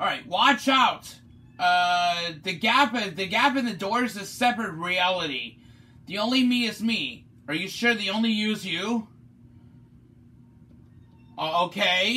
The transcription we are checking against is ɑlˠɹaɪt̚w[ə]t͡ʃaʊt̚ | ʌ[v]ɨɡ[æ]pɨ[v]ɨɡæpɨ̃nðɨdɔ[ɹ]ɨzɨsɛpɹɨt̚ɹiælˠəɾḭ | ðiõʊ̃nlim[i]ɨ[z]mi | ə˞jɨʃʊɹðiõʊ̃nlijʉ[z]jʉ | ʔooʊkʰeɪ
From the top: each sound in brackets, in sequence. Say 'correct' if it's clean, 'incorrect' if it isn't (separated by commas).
incorrect, incorrect, correct, incorrect, correct, correct, correct, correct